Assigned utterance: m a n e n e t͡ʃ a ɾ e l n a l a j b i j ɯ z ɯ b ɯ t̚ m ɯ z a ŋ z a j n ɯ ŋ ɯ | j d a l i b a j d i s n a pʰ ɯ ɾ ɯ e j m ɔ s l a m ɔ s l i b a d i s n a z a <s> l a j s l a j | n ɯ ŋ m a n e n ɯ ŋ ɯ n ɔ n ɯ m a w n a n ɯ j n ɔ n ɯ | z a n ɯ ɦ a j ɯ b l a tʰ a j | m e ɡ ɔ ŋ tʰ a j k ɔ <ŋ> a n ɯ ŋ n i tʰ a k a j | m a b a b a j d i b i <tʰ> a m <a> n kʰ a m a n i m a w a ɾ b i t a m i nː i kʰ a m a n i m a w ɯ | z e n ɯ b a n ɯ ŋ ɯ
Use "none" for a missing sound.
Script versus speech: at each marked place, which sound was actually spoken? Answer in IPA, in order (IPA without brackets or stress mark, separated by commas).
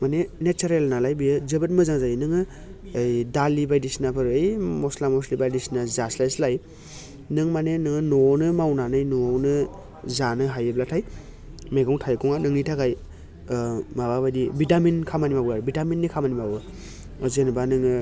s, ŋ, t, i